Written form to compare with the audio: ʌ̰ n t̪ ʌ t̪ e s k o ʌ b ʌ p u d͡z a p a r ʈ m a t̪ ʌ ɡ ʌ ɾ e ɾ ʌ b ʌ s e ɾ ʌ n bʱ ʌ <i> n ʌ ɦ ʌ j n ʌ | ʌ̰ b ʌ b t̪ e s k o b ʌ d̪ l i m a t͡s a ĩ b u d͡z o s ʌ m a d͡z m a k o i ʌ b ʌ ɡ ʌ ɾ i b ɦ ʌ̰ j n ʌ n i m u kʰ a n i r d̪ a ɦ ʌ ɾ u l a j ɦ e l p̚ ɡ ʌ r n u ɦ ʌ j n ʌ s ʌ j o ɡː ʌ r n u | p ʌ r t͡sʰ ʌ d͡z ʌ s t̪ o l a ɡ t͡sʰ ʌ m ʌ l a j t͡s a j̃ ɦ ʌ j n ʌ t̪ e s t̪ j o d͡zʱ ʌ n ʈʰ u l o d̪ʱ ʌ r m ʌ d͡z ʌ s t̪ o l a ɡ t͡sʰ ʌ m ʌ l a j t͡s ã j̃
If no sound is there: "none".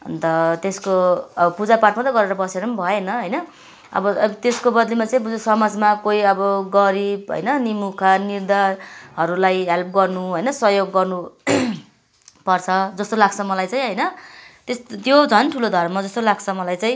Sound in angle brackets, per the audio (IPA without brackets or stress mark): e